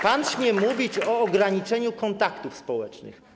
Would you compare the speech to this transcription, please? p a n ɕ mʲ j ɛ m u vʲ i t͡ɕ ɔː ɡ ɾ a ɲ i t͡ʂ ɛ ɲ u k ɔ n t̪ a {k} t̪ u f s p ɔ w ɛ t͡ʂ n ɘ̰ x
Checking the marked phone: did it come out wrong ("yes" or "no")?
no